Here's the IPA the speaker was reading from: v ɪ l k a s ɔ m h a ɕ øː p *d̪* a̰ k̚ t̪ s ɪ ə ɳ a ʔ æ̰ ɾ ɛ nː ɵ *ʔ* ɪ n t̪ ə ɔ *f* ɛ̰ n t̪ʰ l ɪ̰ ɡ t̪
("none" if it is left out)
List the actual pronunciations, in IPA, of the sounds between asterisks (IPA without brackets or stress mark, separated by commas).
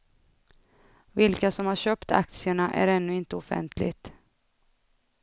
t̪, none, f